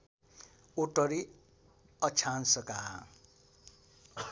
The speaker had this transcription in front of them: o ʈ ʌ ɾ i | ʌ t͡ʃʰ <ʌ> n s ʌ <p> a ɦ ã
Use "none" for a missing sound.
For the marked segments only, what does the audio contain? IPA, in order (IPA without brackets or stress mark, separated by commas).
a, k